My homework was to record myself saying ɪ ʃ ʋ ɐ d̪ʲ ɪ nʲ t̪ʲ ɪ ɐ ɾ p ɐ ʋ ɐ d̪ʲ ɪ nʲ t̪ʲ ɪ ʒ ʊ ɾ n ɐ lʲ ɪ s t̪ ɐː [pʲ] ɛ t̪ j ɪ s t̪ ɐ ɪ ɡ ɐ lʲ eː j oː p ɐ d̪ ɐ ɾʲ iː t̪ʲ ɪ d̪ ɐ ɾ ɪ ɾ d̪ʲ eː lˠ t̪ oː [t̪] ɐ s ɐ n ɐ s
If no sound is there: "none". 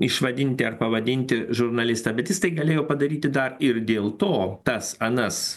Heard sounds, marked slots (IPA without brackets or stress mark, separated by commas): bʲ, t̪